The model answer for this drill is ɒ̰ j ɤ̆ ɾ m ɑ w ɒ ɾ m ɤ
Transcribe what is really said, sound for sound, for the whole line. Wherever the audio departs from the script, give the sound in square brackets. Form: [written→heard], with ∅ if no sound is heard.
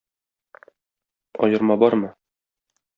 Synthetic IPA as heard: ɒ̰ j ɤ̆ ɾ m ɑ [w→b] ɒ ɾ m ɤ